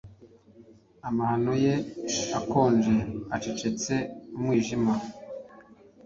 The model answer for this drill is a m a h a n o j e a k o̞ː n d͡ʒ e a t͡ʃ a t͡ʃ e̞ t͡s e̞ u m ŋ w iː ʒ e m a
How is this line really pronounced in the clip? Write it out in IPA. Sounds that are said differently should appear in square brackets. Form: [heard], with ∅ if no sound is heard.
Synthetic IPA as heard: a m a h a n o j e a k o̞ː n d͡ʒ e a t͡ʃ [e] t͡ʃ e̞ t͡s e̞ u m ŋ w iː ʒ [i] m a